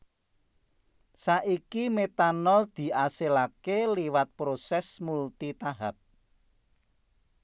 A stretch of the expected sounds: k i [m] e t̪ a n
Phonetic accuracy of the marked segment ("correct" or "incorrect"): correct